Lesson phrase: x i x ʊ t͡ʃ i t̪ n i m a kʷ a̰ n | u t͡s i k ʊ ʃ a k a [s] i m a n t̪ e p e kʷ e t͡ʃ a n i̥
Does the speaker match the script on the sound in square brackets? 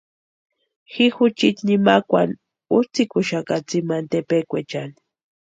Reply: no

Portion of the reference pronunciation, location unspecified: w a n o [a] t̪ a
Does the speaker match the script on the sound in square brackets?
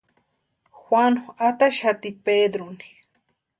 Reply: yes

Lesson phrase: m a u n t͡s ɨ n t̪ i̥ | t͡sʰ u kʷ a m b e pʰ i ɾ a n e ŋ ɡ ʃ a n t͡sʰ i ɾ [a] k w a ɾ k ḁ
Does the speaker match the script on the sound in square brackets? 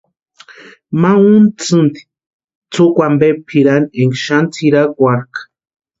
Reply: yes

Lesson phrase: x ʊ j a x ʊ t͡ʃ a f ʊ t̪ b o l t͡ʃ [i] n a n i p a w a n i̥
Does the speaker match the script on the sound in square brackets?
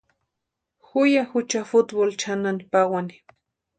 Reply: no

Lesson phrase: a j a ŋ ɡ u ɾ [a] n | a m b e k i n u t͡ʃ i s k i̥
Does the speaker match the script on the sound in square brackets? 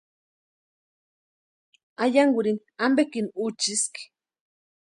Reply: no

